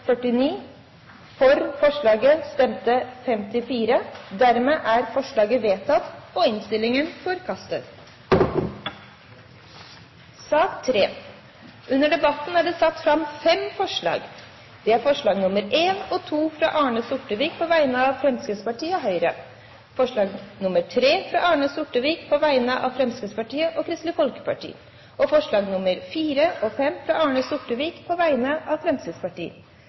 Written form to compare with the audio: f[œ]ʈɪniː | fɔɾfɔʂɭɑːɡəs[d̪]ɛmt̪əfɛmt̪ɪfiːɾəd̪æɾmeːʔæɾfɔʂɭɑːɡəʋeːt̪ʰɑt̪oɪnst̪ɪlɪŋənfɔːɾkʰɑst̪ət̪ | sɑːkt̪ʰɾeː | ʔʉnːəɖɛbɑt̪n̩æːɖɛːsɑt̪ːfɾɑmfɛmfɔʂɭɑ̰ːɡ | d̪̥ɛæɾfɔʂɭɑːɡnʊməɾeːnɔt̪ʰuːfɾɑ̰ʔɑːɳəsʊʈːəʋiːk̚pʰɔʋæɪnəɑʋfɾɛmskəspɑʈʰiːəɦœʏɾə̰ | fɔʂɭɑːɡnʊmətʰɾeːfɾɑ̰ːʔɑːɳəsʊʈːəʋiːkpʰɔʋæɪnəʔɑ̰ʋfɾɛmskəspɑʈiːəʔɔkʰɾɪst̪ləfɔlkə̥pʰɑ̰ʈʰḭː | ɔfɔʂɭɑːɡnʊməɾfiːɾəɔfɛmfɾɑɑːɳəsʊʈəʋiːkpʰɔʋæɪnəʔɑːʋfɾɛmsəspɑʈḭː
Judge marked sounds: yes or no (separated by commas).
yes, no